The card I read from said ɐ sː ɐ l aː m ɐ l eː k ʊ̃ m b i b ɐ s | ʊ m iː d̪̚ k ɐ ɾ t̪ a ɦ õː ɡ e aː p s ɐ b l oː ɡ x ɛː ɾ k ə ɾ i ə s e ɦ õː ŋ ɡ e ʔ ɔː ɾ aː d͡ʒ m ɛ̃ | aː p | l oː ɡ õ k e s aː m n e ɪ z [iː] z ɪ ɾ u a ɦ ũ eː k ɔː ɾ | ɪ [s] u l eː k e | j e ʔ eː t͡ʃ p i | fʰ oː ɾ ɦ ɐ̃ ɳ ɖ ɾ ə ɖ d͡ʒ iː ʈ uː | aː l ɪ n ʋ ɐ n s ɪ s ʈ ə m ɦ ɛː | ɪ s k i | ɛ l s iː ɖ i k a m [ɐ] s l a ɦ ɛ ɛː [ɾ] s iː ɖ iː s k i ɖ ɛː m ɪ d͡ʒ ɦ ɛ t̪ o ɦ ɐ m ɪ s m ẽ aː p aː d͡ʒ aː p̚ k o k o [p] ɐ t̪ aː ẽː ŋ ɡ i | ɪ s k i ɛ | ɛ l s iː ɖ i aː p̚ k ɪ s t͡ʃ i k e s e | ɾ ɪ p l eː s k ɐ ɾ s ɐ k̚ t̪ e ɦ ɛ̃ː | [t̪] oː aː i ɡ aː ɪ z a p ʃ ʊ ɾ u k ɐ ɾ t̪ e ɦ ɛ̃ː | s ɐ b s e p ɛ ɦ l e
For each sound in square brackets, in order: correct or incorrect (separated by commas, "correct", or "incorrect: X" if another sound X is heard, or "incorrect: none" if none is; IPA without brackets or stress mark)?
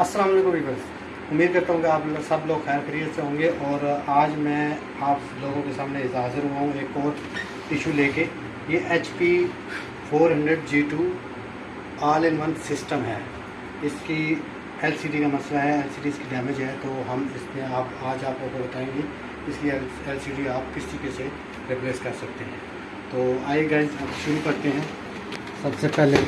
incorrect: aː, incorrect: ʃ, correct, incorrect: l, incorrect: b, correct